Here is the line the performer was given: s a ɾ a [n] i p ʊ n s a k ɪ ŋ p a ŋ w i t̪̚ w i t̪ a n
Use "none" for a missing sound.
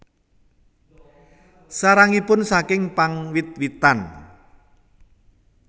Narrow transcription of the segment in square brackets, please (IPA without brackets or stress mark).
ŋ